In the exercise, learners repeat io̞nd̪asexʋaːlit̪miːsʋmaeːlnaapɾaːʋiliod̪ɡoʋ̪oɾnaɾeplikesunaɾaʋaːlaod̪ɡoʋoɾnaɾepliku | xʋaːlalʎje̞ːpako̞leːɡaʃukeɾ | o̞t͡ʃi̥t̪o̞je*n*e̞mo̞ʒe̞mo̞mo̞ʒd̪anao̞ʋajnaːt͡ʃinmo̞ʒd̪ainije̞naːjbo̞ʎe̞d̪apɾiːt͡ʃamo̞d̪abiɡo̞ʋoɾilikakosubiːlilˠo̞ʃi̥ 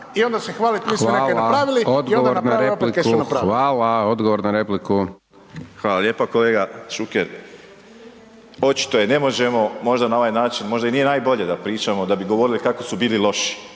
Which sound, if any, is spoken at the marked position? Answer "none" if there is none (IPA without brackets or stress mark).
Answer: n